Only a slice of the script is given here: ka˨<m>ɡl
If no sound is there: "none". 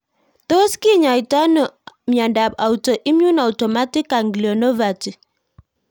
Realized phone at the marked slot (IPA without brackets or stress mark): ŋ